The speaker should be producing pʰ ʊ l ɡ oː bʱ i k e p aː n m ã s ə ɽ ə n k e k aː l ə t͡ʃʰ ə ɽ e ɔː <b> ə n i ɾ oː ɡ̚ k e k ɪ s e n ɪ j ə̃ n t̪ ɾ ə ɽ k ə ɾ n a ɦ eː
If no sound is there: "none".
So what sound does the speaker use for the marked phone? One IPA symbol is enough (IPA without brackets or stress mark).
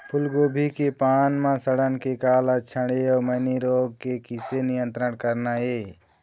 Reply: m